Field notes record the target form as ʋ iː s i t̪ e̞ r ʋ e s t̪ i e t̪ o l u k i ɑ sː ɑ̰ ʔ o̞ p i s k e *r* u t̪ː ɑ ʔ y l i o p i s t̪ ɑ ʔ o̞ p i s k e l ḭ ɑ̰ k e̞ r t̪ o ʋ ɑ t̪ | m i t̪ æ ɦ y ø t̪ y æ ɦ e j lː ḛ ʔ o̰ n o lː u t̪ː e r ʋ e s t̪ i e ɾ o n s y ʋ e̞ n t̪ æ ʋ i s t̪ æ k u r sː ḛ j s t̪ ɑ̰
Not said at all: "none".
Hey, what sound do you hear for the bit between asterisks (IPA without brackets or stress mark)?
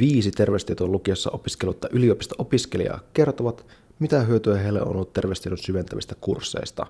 l